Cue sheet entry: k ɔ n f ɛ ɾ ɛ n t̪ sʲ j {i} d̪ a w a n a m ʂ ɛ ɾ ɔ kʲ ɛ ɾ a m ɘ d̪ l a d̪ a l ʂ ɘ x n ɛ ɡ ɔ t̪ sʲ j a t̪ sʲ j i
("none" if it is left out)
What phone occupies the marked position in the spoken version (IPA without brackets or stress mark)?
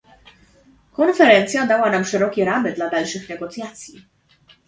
a